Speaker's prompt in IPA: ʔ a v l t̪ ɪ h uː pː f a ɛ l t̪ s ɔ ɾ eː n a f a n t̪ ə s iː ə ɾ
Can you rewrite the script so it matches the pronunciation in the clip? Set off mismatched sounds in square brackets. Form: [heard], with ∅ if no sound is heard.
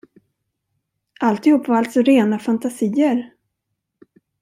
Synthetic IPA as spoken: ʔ a [∅] l t̪ ɪ h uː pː [v] a [a] l t̪ s ɔ ɾ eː n a f a n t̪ [a] s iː ə ɾ

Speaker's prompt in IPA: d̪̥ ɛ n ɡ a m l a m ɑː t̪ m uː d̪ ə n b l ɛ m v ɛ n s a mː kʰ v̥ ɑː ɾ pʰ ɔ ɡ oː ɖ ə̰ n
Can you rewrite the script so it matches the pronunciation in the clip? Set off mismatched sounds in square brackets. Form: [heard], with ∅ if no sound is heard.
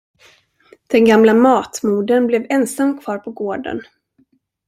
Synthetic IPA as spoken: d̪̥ ɛ n ɡ a m l a m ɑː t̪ m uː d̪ ə n b l ɛ [∅] v ɛ n s a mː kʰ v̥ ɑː ɾ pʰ ɔ ɡ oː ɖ ə̰ n

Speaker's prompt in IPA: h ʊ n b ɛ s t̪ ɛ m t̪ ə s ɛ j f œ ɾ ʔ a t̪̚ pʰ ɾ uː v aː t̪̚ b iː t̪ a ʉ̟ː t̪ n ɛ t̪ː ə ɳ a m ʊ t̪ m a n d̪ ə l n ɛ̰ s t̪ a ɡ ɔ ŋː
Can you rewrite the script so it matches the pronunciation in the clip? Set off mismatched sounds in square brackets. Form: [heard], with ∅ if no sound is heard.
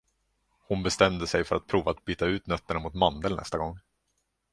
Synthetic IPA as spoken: h ʊ n b ɛ s t̪ ɛ m [d̪] ə s ɛ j f œ ɾ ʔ a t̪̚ pʰ ɾ uː v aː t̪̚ b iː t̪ a ʉ̟ː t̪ n [œ] t̪ː ə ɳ a m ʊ t̪ m a n d̪ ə l n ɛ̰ s t̪ a ɡ ɔ ŋː

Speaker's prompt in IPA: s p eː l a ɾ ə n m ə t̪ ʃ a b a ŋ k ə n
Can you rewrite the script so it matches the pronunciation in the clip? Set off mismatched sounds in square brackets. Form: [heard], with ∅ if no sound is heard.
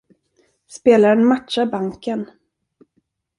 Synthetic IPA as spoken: s p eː l a ɾ ə n m [a] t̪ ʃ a b a ŋ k ə n

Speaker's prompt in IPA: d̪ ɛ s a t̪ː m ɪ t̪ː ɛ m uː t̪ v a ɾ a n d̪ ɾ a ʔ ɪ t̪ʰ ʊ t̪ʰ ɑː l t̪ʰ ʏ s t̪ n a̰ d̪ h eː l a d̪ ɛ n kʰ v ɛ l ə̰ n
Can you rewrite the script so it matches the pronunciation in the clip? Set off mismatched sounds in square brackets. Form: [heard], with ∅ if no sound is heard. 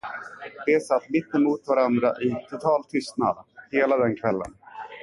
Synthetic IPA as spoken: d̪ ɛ s a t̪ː m ɪ t̪ː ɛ m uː t̪ v a ɾ a n d̪ ɾ a ʔ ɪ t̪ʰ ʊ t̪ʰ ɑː l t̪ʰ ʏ s t̪ n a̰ d̪ h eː l a d̪ ɛ n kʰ v ɛ [lː] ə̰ n

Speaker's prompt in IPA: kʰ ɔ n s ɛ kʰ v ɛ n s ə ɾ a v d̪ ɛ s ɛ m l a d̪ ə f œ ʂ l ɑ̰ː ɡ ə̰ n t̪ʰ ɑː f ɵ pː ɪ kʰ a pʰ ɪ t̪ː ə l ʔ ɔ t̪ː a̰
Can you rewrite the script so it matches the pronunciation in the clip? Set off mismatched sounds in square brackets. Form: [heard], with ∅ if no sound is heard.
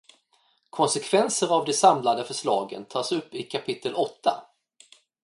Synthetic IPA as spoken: kʰ ɔ n s ɛ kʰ v ɛ n s ə ɾ a v d̪ ɛ s [a] m l a d̪ ə f œ ʂ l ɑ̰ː ɡ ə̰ n t̪ʰ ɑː [s] ɵ pː ɪ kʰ a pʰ ɪ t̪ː ə l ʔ ɔ t̪ː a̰

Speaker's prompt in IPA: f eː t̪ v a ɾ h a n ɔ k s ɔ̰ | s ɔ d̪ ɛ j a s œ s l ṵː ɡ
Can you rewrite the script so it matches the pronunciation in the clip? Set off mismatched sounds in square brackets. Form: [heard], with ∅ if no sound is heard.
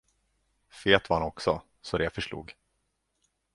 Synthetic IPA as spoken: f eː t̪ v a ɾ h a n ɔ k s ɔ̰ | s ɔ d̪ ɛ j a [f] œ [ʂ] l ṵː ɡ

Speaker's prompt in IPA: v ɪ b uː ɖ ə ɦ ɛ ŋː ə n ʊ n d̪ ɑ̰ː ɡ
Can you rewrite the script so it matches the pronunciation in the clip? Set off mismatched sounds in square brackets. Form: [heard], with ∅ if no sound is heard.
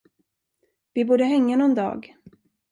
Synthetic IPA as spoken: v ɪ b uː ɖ ə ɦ ɛ ŋː [a] n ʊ n d̪ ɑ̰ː ɡ

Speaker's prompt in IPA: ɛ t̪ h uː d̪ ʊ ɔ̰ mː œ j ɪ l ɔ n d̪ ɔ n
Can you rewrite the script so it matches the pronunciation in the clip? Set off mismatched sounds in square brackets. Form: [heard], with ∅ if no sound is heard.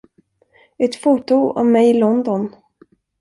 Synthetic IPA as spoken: ɛ t̪ [f] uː [t̪] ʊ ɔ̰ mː [ɛ] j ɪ l ɔ n d̪ ɔ n

